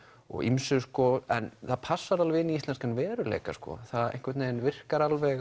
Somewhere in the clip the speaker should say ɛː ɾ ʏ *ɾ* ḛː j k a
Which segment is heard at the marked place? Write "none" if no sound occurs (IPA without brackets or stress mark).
l